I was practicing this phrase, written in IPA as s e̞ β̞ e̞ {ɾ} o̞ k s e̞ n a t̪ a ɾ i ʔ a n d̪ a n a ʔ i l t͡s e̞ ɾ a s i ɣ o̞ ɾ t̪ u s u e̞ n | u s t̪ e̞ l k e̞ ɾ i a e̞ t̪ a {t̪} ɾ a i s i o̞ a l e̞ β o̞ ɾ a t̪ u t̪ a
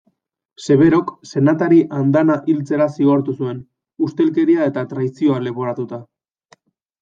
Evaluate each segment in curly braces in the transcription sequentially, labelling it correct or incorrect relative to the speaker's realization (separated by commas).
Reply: correct, correct